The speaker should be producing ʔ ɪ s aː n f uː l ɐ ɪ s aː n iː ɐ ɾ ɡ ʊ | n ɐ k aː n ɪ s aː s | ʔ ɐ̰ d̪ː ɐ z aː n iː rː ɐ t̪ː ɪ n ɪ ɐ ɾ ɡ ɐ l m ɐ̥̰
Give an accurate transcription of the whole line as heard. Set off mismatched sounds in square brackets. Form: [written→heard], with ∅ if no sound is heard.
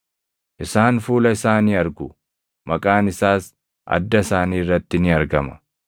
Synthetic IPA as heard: ʔ ɪ s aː n f uː l ɐ ɪ s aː n iː ɐ ɾ ɡ ʊ | [n→m] ɐ [k→kʼ] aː n ɪ s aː s | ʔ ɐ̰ d̪ː ɐ [z→s] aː n iː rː ɐ t̪ː ɪ n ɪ ɐ ɾ ɡ ɐ [l→∅] m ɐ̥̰